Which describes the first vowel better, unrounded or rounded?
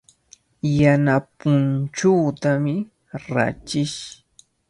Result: unrounded